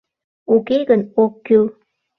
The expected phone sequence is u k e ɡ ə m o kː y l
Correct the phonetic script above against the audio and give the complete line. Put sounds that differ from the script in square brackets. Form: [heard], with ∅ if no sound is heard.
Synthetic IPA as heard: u k e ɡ ə [n] o kː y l